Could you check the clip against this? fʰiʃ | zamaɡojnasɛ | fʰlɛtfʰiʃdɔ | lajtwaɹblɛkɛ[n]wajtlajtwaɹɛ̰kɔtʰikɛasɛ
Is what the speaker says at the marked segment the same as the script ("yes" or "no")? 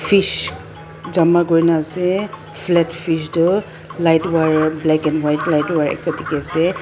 yes